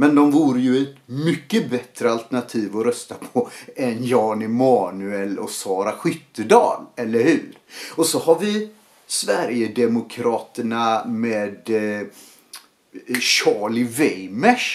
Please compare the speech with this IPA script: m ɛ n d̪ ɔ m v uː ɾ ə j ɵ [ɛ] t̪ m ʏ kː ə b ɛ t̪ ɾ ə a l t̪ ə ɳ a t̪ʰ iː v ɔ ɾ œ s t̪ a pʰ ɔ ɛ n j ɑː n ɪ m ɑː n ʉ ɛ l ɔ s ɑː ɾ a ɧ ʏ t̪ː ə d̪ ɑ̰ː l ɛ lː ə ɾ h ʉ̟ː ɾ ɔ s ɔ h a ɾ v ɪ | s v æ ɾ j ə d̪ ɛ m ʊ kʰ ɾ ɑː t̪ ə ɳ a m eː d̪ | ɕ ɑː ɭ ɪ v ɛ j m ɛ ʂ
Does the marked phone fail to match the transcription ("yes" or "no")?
no